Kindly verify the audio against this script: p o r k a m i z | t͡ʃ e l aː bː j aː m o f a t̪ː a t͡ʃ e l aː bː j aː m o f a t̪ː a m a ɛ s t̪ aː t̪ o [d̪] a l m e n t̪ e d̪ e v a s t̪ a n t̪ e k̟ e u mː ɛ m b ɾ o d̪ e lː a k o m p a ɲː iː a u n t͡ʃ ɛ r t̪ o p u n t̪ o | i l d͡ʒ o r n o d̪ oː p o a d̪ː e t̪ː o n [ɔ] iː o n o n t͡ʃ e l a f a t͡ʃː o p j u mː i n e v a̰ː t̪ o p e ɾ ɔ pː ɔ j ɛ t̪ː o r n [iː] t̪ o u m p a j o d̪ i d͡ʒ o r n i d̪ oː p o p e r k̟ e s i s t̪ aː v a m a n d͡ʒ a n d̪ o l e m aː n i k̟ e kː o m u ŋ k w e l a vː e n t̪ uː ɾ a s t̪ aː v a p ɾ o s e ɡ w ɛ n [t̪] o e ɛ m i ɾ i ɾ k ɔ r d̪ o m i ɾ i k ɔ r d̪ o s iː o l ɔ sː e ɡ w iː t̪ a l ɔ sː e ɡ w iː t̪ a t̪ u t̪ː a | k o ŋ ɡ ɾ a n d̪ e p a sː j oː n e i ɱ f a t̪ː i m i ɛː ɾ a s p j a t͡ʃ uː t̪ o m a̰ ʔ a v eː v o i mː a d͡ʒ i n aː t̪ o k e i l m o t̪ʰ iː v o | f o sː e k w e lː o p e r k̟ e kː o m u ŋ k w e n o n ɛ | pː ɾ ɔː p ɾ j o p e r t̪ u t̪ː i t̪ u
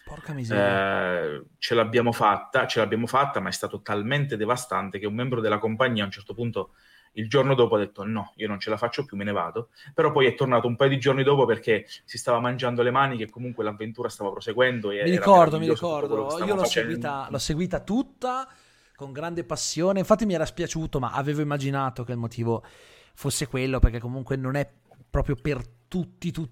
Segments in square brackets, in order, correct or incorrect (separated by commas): incorrect, correct, incorrect, incorrect